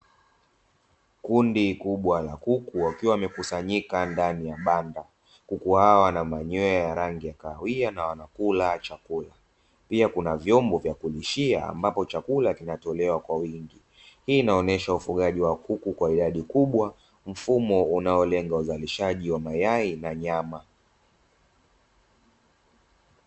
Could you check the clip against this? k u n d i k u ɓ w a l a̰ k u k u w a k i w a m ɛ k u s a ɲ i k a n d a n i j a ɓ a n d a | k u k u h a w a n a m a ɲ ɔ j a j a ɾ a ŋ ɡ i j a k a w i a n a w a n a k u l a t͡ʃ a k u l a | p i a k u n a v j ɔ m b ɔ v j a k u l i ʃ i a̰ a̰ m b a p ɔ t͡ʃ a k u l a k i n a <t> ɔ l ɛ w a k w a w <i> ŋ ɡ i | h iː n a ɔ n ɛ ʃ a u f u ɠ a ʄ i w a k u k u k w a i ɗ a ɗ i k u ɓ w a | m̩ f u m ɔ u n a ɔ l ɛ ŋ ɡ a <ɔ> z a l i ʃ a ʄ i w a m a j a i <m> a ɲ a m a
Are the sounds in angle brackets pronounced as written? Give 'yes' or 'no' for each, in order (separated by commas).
yes, yes, no, no